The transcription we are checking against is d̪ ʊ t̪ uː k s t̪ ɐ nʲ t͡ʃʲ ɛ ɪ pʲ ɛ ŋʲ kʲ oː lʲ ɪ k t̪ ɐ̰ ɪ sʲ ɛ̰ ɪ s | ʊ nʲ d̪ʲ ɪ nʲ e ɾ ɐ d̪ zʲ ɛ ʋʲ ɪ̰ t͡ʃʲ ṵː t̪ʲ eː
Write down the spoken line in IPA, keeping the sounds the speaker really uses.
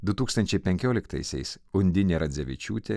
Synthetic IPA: d̪ ʊ t̪ uː k s t̪ ɐ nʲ t͡ʃʲ ɛ ɪ pʲ ɛ ŋʲ kʲ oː lʲ ɪ k t̪ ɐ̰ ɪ sʲ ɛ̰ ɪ s | ʊ nʲ d̪ʲ ɪ nʲ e ɾ ɐ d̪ zʲ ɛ ʋʲ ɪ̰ t͡ʃʲ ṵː t̪ʲ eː